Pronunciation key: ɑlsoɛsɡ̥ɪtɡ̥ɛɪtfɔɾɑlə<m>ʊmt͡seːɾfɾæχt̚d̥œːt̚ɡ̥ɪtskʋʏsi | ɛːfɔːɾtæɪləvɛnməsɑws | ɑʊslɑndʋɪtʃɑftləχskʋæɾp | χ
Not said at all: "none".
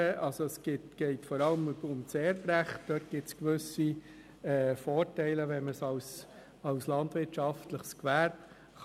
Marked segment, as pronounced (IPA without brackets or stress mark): m